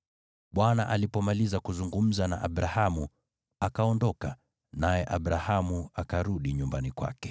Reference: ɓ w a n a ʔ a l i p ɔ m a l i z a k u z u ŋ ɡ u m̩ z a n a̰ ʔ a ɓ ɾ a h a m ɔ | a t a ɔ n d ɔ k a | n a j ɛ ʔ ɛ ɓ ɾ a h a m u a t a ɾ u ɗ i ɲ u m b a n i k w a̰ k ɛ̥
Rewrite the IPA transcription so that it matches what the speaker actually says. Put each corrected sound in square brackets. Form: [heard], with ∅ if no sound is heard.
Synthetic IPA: ɓ w a n a ʔ a l i p ɔ m a l i z a k u z u ŋ ɡ u m̩ z a n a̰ ʔ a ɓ ɾ a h a m [u] | a [k] a ɔ n d ɔ k a | n a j ɛ ʔ [a] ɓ ɾ a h a m u a [k] a ɾ u ɗ i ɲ u m b a n i k w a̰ k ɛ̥